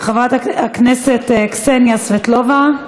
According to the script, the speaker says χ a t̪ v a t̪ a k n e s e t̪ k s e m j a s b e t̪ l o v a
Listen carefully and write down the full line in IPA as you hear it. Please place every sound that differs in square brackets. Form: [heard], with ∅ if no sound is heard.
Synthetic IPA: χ a [∅] v a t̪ a k n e s e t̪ k s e [n] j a s [v] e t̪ l o v a